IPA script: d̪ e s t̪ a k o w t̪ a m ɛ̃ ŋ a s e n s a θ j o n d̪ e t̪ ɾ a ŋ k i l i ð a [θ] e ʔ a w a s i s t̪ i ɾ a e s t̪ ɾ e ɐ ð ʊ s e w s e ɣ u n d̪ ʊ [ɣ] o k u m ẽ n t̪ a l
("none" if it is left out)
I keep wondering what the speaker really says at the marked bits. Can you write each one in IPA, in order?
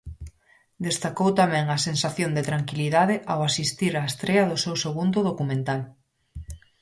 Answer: ð, ð

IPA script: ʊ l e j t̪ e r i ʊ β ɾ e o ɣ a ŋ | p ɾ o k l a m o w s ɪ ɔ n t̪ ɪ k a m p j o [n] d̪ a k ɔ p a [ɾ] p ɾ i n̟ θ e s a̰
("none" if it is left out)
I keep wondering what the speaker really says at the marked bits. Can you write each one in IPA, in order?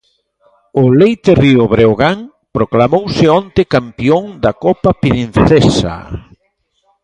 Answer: ŋ, none

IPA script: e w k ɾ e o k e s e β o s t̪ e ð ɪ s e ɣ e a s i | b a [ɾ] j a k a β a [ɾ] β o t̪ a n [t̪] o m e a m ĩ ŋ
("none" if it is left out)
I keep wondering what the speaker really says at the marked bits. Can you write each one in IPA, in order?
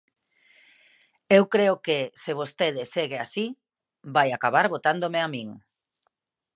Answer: none, ɾ, d̪

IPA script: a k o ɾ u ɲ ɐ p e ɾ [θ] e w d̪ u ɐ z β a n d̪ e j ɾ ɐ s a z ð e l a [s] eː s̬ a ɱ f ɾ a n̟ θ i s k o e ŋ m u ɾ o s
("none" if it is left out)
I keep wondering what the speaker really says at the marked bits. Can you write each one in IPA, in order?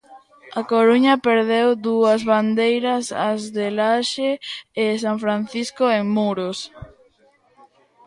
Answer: ð, ʃ

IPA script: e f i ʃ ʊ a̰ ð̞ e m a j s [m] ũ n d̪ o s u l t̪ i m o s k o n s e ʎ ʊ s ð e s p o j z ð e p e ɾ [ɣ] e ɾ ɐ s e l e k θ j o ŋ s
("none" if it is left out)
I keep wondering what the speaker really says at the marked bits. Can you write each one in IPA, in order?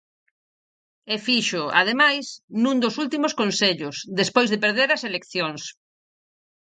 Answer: n, ð

